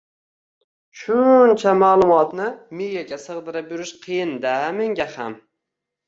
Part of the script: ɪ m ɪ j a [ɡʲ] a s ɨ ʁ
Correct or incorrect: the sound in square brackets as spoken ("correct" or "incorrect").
correct